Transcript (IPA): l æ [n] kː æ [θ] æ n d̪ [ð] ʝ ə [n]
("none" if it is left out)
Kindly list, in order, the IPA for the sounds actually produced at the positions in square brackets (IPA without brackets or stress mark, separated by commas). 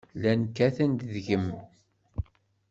n, θ, ð, m